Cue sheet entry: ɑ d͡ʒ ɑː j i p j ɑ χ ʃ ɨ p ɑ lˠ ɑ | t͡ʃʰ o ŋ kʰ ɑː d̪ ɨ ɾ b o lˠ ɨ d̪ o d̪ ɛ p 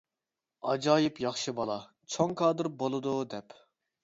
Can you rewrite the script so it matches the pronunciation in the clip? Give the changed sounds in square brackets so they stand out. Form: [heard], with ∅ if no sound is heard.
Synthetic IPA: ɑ d͡ʒ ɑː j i p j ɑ χ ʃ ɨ [b] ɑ lˠ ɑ | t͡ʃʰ o ŋ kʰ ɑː d̪ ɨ ɾ b o lˠ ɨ d̪ [u] d̪ ɛ p